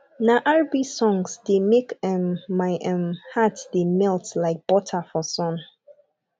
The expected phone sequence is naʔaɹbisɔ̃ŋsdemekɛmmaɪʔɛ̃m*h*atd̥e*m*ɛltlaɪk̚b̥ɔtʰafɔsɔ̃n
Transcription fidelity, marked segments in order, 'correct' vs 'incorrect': correct, correct

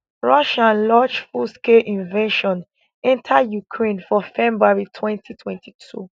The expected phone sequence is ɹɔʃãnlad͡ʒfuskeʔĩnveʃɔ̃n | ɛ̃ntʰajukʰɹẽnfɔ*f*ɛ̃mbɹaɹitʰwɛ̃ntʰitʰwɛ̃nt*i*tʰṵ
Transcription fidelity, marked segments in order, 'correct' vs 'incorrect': correct, correct

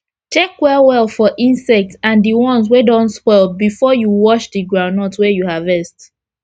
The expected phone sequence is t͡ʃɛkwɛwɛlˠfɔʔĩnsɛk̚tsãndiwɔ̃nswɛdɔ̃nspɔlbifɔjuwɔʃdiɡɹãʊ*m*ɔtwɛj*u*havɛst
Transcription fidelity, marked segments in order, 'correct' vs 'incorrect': incorrect: n, correct

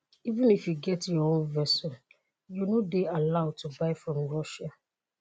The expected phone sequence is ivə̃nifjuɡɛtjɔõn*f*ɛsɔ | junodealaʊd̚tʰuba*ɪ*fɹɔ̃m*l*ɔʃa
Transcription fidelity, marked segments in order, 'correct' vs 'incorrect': incorrect: v, correct, incorrect: ɹ

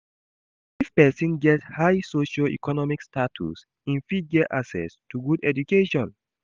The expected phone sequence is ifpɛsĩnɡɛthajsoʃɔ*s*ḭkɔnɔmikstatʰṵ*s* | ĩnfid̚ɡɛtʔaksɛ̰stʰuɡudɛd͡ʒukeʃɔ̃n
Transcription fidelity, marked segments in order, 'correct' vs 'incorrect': incorrect: none, correct

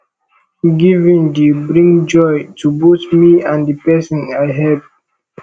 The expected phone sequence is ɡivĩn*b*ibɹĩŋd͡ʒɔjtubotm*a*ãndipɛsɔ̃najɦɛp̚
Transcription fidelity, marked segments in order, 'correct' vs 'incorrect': incorrect: d, incorrect: i

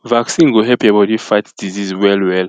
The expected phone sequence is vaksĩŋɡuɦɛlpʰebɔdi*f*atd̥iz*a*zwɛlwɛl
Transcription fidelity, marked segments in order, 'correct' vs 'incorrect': correct, incorrect: i

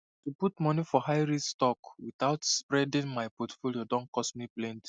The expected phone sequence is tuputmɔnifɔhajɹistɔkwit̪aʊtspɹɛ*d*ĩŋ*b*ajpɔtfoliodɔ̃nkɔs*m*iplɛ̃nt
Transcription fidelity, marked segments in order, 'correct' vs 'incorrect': correct, incorrect: m, correct

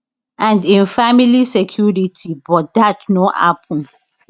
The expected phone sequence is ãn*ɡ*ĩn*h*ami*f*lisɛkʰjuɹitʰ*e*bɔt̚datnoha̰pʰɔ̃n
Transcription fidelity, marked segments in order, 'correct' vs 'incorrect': incorrect: d, incorrect: f, incorrect: none, incorrect: i

